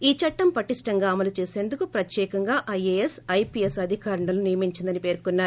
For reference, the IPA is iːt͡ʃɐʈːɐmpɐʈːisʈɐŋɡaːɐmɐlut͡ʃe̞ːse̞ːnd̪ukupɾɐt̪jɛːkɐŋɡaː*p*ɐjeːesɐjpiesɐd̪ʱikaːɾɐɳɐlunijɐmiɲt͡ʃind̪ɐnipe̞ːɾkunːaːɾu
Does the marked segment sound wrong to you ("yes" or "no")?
yes